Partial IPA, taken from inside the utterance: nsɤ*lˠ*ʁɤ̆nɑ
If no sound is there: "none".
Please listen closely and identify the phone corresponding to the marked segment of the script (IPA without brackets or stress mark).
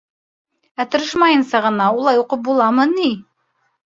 none